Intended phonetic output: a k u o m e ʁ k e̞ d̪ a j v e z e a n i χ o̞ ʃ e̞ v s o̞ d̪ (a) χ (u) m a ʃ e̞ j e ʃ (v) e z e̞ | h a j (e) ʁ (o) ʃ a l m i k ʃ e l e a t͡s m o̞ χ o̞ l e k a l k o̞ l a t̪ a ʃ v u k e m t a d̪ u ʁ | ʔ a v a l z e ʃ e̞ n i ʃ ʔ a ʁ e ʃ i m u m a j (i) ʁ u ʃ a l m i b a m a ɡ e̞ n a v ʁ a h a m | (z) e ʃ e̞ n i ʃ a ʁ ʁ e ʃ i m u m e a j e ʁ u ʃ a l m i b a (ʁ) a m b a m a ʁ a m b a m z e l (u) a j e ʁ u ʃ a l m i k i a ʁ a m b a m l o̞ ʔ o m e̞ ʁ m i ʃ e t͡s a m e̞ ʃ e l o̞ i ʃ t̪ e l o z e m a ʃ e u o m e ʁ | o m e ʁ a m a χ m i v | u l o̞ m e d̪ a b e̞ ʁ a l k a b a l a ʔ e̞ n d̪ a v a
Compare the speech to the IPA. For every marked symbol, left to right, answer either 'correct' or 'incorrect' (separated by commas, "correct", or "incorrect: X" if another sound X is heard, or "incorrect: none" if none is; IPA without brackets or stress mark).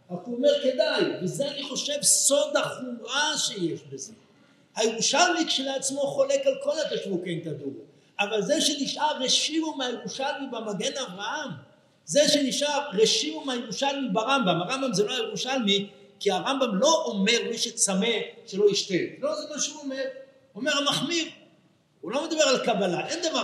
correct, correct, incorrect: b, correct, incorrect: u, incorrect: e, correct, correct, incorrect: o